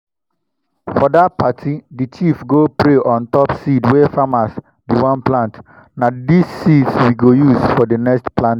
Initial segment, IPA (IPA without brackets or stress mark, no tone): f